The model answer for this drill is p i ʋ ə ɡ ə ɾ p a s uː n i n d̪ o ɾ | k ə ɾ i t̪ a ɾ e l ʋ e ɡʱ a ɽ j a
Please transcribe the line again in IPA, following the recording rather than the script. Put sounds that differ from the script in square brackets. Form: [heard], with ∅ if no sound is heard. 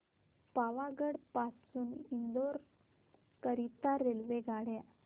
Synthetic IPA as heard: p [a] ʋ [a] ɡ ə [ɽ] p a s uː n i n d̪ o ɾ | k ə ɾ i t̪ a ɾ e l ʋ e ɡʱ a ɽ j a

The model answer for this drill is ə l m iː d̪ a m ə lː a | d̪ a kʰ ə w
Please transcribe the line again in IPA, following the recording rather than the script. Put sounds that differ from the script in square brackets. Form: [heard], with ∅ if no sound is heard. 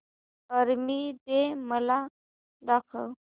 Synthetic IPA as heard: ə [ɾ] m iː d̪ [e] m ə [l] a | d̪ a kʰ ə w

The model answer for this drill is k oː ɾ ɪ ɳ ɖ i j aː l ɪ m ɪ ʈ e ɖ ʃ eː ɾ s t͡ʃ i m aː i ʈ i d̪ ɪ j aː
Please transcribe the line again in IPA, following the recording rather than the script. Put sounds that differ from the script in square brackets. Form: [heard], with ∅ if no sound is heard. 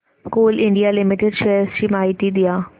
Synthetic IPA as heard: k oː [l] ɪ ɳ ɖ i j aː l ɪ m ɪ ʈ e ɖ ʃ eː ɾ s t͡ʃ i m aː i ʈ i d̪ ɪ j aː

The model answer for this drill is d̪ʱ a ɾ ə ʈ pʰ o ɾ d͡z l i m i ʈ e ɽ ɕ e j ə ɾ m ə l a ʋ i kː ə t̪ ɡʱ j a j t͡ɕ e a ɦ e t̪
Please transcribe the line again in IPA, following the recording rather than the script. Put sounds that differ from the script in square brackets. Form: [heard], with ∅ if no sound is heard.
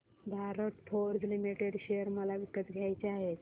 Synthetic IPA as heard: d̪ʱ a ɾ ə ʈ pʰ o ɾ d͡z l i m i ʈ e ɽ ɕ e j ə ɾ m ə l a ʋ i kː ə t̪ ɡʱ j a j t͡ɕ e a ɦ e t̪

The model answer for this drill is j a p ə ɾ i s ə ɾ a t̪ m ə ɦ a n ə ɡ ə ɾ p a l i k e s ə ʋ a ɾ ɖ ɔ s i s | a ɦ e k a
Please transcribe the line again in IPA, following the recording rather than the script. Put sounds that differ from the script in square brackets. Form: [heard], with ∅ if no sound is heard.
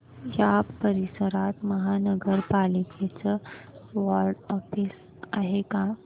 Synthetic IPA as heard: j a p ə ɾ i s ə ɾ a t̪ m ə ɦ a n ə ɡ ə ɾ p a l i k e [t͡s] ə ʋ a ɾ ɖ ɔ [f] i s | a ɦ e k a

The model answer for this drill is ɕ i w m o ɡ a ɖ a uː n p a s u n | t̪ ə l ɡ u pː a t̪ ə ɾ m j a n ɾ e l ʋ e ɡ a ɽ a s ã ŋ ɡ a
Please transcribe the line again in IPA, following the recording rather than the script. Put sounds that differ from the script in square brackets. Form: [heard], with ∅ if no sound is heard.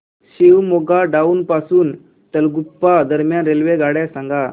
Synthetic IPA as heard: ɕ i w m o ɡ a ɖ a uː n p a s [uː] n | t̪ ə l ɡ u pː a [d̪] ə ɾ m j a n ɾ e l ʋ e ɡ a ɽ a s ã ŋ ɡ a

